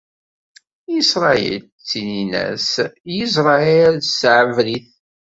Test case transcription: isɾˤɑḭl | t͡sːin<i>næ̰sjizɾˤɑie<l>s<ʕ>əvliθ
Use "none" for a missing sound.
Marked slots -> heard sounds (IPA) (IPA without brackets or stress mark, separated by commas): i, l, ʕ